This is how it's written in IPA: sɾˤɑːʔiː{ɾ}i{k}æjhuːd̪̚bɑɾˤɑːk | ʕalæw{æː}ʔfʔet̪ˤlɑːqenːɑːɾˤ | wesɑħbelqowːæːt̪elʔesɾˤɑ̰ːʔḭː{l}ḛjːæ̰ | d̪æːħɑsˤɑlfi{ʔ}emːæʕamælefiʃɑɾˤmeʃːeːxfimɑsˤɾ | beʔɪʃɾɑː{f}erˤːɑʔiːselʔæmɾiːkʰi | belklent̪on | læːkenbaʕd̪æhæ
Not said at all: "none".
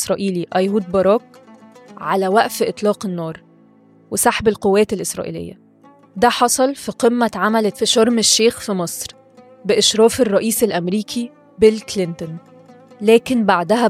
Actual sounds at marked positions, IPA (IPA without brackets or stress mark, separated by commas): l, ʔ, æ, l, q, f